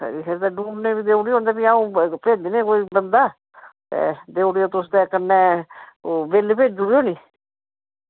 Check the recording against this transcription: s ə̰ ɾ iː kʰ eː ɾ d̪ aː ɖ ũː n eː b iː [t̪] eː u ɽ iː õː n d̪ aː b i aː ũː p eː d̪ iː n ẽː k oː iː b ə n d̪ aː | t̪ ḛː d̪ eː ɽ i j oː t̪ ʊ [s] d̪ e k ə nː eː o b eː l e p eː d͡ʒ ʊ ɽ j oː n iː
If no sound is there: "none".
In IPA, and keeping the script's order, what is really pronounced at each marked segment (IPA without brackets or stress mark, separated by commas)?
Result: d̪, s